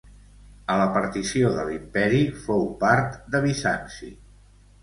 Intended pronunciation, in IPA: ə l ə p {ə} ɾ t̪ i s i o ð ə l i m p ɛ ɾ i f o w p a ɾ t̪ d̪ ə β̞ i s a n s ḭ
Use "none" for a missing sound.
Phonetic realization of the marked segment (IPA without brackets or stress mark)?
ə